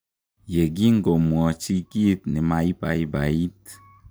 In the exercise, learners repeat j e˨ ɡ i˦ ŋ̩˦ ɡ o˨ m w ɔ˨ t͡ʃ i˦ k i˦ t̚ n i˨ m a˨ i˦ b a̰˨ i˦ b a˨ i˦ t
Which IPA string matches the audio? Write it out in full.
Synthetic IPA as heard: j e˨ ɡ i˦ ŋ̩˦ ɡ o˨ m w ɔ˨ t͡ʃ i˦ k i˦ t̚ n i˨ m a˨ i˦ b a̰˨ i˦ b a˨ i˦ t